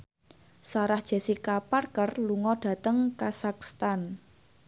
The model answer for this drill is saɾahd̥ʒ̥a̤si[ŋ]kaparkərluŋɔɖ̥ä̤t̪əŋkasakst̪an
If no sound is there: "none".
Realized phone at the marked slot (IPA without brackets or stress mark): none